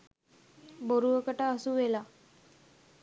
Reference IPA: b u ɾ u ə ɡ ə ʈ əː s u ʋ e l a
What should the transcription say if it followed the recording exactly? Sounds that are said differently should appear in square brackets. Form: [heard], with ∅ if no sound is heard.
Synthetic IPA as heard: b [o] ɾ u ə [k] ə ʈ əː s u ʋ e l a